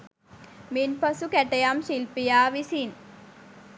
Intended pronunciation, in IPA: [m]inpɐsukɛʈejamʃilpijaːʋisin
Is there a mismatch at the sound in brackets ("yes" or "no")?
no